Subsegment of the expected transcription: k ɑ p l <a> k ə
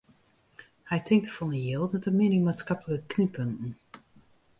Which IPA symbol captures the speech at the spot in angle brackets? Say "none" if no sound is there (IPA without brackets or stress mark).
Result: ə